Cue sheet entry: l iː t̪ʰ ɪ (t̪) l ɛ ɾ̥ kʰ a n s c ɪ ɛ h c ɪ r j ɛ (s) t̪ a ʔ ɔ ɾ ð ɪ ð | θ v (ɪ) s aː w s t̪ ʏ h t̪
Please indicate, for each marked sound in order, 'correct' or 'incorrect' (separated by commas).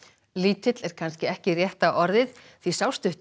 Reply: correct, incorrect, incorrect